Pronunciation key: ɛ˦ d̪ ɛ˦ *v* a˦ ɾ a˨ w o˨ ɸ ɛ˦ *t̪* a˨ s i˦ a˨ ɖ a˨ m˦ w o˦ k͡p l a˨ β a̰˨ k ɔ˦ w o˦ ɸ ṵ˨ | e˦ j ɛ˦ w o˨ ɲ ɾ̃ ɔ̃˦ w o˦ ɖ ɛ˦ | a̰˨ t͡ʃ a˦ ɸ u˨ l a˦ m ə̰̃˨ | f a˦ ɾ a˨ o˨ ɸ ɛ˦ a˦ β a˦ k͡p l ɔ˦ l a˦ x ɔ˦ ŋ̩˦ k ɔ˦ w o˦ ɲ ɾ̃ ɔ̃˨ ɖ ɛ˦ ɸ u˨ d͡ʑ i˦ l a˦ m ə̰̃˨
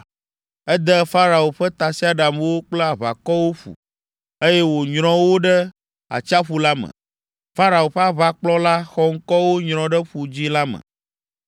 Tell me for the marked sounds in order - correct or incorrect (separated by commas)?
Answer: incorrect, correct